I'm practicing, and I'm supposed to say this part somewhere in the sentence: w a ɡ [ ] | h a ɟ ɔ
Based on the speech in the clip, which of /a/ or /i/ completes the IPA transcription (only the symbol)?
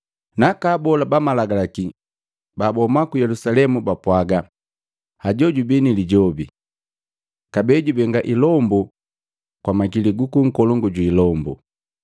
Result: a